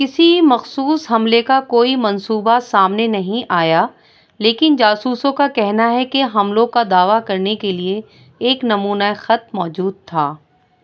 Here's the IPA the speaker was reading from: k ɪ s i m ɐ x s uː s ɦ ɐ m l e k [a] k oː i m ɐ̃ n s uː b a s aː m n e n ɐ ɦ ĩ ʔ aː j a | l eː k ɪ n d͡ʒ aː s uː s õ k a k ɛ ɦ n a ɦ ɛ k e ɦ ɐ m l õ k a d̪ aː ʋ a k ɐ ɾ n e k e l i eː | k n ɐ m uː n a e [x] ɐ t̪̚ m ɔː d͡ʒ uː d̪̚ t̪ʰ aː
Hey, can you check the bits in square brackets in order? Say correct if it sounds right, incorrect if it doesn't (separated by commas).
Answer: correct, correct